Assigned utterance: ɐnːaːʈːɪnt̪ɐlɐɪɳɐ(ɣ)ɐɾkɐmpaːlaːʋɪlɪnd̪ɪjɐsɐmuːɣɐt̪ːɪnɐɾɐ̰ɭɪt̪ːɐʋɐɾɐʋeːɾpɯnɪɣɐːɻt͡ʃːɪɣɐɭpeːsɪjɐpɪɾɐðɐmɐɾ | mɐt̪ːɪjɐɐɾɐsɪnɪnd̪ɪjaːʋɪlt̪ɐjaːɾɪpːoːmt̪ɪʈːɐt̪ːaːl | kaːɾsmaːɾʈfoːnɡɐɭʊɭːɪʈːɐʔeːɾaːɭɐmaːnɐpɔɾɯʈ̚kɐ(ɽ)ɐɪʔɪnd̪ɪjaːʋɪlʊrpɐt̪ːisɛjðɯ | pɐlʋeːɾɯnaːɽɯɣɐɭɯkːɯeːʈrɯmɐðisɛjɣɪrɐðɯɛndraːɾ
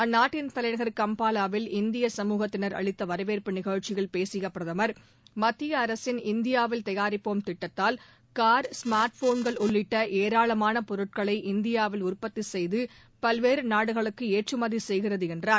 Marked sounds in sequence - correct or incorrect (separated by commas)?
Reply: correct, incorrect